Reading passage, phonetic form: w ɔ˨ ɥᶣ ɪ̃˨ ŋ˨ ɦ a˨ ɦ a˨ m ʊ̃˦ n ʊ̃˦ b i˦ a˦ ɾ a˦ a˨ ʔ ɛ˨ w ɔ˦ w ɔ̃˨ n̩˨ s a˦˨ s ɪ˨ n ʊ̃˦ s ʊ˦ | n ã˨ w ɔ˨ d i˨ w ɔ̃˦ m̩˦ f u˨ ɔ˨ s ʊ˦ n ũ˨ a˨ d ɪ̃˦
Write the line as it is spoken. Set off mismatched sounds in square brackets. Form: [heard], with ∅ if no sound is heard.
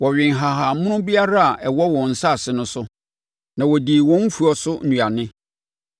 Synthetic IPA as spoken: w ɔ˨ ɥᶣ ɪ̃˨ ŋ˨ ɦ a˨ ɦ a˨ m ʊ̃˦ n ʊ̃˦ b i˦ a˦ ɾ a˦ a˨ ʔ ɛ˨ w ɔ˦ w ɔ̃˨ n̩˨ s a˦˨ s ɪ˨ n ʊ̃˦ s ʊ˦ | n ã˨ w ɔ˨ d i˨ w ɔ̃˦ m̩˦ f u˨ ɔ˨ s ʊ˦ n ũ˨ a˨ [n] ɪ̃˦